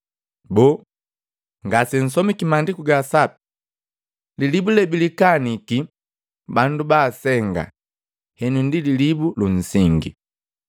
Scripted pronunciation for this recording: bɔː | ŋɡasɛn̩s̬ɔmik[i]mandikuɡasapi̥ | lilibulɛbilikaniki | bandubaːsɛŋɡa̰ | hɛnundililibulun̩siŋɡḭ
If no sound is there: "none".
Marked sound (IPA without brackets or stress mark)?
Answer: i